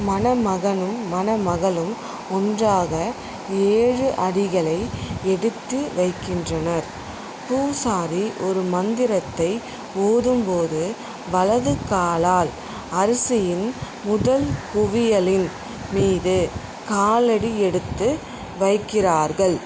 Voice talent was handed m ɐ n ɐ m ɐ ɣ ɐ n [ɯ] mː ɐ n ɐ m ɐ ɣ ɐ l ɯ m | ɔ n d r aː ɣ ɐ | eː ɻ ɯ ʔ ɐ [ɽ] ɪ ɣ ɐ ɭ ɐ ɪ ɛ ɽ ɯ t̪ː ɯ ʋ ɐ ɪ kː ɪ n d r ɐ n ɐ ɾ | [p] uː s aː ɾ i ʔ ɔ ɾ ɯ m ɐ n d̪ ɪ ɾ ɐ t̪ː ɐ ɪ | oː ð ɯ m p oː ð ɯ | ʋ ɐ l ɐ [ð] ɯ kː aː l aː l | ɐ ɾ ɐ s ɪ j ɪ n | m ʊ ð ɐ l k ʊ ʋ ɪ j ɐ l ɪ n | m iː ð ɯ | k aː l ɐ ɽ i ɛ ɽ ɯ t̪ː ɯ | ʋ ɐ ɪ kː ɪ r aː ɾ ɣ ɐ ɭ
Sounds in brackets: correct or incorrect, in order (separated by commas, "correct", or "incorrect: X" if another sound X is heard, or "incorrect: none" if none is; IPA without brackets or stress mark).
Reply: correct, correct, correct, correct